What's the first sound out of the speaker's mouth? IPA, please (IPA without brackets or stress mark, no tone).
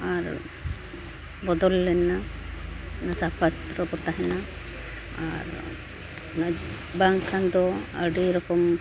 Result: a